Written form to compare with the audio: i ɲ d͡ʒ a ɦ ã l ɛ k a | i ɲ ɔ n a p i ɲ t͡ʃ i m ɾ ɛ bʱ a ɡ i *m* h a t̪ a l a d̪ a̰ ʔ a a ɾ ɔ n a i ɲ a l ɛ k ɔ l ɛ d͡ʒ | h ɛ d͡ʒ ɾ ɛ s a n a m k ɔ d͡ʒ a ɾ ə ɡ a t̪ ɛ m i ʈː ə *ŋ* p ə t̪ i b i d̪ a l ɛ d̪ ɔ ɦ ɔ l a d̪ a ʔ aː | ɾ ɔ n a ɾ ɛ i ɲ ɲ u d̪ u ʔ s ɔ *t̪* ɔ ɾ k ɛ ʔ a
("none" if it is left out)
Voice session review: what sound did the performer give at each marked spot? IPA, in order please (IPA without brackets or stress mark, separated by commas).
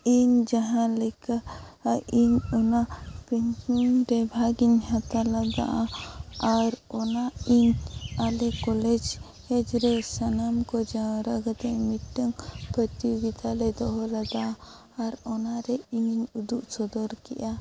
ɲ, ŋ, d̪